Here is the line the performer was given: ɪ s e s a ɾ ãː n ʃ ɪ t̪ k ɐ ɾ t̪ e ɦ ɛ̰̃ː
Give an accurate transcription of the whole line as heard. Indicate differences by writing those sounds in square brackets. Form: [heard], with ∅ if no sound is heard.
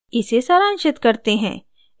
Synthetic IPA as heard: ɪ s e s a ɾ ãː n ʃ ɪ t̪ k ɐ ɾ t̪ e ɦ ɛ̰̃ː